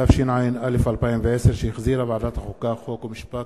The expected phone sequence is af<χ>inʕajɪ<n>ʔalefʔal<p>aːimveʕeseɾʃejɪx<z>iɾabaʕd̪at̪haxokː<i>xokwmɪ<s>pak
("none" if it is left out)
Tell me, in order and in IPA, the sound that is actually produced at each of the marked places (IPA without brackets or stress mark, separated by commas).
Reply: ʃ, n, p, z, a, ʃ